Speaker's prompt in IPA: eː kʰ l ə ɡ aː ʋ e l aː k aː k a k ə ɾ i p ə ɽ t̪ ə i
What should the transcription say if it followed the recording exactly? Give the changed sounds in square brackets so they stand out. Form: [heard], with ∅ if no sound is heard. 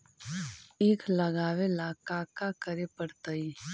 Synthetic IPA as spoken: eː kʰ l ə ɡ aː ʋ e l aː k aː k a k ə ɾ [e] p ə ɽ t̪ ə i